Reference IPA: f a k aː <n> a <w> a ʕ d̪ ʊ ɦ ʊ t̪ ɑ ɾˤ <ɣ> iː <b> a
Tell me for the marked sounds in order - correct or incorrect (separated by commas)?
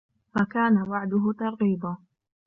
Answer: correct, correct, correct, correct